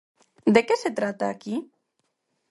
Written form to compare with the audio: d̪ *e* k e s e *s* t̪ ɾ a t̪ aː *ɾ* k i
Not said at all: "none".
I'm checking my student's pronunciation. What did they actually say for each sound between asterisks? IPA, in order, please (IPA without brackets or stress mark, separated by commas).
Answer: e, none, none